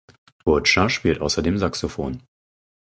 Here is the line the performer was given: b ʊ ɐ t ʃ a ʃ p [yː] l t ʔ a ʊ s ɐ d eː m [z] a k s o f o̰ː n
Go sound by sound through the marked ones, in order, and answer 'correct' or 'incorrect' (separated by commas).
incorrect, correct